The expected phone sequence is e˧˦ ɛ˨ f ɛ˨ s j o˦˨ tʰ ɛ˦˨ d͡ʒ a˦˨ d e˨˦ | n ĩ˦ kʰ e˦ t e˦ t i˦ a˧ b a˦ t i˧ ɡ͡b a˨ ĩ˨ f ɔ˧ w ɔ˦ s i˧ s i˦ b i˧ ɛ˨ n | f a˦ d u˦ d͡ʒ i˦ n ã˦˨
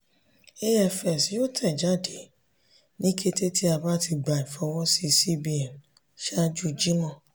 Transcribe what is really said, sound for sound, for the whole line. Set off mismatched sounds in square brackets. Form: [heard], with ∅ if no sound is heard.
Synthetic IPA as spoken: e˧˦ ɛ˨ f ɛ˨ s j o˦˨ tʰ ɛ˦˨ d͡ʒ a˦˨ d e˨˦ | n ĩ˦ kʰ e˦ t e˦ t i˦ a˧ b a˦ t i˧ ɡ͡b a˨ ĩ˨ f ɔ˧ w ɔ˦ s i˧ s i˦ b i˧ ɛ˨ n | [ʃ] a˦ [d͡ʒ] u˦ d͡ʒ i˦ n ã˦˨